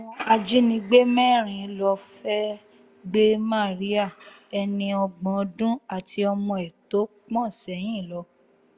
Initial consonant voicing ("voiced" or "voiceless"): voiced